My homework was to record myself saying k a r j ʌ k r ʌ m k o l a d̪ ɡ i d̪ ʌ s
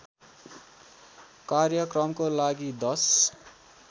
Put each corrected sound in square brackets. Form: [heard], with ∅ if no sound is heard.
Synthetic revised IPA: k a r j ʌ k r ʌ m k o l a [∅] ɡ i d̪ ʌ s

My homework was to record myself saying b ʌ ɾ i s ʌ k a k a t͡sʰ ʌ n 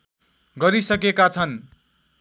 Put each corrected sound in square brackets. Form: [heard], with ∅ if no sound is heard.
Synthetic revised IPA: [ɡ] ʌ ɾ i s ʌ k [e] k a t͡sʰ ʌ n

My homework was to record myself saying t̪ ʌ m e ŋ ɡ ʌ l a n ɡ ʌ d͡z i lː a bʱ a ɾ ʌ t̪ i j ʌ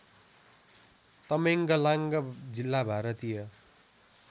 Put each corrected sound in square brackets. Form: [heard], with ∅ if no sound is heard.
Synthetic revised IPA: t̪ ʌ m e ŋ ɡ ʌ l a [ŋ] ɡ ʌ d͡z i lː a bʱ a ɾ ʌ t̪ i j ʌ

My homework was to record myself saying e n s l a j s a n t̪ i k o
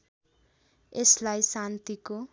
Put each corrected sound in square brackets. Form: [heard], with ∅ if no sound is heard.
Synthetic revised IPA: e [∅] s l a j s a n t̪ i k o

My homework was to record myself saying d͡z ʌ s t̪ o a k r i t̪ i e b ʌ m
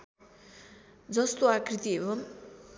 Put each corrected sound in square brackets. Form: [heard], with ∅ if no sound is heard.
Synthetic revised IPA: d͡z ʌ s t̪ o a k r i t̪ i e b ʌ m

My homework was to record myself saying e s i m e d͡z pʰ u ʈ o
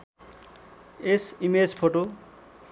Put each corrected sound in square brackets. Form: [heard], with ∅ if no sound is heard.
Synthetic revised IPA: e s i m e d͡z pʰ [o] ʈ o

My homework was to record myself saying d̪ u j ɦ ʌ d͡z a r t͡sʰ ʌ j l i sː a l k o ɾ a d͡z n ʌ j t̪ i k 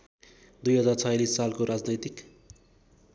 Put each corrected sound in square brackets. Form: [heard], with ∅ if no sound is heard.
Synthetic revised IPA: d̪ u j ɦ ʌ d͡z a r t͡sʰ ʌ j l i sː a l k o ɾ a d͡z n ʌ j t̪ i k

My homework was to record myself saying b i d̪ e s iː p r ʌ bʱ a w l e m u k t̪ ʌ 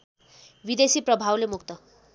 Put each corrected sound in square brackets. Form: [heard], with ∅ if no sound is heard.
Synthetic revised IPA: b i d̪ e s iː p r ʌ bʱ a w l e m u k t̪ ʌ

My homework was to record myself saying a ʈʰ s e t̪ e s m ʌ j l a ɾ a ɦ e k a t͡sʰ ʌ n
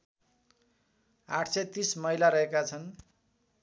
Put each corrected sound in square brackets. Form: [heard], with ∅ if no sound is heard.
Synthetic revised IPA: a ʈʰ s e t̪ [i] s m ʌ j l a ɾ [ʌ] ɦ e k a t͡sʰ ʌ n

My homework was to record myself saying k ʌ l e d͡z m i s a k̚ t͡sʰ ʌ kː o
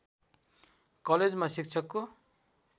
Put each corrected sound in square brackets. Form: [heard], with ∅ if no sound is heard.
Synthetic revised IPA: k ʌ l e d͡z m [a] s [i] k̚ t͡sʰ ʌ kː o

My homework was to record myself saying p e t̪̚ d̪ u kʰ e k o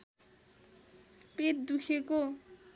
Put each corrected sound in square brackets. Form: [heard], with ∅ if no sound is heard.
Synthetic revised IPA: p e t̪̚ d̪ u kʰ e k o

